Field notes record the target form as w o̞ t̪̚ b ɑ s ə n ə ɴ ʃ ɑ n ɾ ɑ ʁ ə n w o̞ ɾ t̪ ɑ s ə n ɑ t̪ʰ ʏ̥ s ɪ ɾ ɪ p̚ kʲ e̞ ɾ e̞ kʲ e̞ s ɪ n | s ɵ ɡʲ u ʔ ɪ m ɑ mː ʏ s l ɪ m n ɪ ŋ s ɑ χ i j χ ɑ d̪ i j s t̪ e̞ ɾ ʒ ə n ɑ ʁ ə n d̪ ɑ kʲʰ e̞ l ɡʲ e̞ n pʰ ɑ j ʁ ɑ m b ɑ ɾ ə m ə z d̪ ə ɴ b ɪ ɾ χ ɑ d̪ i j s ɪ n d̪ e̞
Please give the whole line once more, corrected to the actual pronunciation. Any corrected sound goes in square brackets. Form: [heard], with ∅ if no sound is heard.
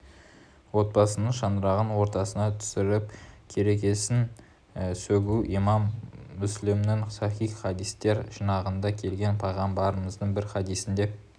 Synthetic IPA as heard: w o̞ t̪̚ b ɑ s ə n ə ɴ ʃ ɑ n ɾ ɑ ʁ ə n w o̞ ɾ t̪ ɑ s ə n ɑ t̪ʰ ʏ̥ s ɪ ɾ ɪ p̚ [kʲʰ] e̞ ɾ e̞ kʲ e̞ s ɪ n | s ɵ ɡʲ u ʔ [i] m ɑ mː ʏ s l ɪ m n ɪ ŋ s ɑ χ i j χ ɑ d̪ i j s t̪ e̞ ɾ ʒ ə n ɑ ʁ ə n d̪ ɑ kʲʰ e̞ l ɡʲ e̞ n pʰ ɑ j ʁ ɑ m b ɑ ɾ ə m ə z d̪ ə ɴ b ɪ ɾ χ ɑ d̪ i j s ɪ n d̪ e̞